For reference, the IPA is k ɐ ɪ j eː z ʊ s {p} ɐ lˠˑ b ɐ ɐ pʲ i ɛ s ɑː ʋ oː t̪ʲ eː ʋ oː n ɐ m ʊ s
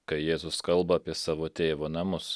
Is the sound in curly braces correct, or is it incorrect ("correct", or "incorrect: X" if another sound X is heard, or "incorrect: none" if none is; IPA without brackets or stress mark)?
incorrect: k